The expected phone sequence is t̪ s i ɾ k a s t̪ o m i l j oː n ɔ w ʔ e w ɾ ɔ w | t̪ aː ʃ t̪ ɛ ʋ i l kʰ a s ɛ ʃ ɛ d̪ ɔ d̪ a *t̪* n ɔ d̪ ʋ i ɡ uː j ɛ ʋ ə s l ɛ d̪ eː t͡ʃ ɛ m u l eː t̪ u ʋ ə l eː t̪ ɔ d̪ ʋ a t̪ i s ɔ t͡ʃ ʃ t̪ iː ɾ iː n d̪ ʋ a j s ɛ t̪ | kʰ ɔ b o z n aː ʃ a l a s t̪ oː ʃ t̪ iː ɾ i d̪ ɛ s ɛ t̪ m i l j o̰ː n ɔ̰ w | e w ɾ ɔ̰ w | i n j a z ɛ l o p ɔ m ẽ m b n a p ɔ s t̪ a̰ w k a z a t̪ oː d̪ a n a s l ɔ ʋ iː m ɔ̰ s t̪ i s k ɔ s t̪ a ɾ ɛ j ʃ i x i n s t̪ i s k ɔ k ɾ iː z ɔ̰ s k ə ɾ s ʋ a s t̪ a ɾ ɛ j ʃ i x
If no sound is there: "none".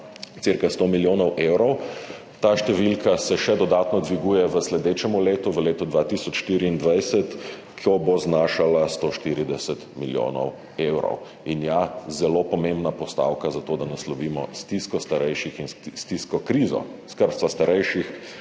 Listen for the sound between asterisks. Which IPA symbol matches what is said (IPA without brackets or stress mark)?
t̪